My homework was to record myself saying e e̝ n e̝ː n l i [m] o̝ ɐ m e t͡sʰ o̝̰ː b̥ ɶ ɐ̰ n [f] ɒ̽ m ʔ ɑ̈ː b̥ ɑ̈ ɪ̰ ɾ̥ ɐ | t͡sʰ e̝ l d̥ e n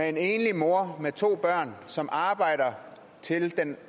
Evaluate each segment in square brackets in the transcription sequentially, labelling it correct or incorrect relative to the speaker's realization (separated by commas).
correct, incorrect